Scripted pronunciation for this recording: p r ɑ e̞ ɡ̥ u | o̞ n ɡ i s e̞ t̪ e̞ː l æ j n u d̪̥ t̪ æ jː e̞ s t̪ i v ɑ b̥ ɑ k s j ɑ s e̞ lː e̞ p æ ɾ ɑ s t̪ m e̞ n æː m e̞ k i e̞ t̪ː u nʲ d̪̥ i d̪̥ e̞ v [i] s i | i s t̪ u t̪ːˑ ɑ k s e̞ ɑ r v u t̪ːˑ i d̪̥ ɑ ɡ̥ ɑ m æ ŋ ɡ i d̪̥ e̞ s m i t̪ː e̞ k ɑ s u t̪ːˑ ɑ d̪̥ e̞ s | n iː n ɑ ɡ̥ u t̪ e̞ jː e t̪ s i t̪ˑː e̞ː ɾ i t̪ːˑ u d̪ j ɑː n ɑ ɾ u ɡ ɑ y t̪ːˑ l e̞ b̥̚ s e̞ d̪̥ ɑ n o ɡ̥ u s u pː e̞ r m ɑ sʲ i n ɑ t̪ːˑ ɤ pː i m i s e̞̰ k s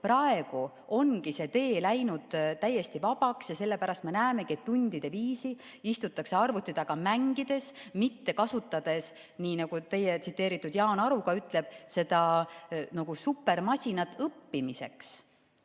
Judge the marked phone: incorrect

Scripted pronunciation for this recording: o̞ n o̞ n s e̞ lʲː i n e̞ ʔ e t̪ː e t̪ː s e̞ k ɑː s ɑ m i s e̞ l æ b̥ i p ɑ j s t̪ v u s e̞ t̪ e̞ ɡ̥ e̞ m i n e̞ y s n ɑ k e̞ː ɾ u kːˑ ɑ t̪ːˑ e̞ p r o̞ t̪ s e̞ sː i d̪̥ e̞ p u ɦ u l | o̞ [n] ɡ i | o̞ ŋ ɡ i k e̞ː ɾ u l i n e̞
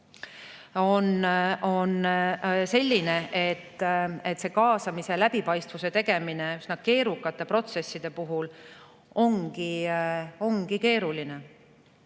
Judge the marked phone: incorrect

